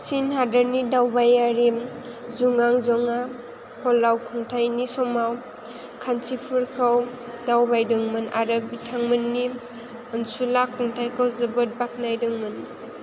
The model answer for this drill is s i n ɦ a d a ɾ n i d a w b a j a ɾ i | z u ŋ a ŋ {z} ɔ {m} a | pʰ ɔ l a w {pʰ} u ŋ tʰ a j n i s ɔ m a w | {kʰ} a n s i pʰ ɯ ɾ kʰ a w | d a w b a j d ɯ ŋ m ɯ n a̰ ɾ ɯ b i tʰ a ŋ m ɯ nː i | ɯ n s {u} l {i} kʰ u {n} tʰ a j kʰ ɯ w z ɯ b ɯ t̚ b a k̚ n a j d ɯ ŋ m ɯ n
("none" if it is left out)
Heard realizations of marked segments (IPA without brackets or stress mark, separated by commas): z, ŋ, kʰ, kʰ, u, a, ŋ